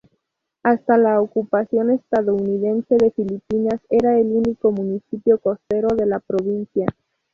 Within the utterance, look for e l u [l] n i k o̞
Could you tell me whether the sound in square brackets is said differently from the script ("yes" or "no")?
yes